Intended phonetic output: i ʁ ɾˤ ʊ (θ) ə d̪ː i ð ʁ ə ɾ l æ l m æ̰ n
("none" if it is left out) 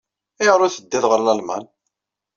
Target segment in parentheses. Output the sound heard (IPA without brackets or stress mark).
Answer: θ